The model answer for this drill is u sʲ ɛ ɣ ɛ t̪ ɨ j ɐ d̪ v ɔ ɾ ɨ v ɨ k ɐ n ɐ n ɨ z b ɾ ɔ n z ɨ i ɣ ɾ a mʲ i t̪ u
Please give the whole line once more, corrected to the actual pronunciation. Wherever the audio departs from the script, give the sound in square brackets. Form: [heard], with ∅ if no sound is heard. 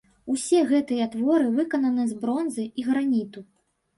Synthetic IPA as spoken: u sʲ ɛ ɣ ɛ t̪ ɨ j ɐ [t̪] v ɔ ɾ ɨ v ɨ k ɐ n ɐ n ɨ z b ɾ ɔ n z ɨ i ɣ ɾ a [nʲ] i t̪ u